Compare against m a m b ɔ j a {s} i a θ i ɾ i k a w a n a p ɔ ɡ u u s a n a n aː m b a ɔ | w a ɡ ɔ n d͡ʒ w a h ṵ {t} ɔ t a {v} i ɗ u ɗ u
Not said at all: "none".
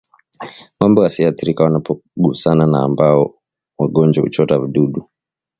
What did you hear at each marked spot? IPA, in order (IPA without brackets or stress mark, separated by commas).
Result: s, t͡ʃ, v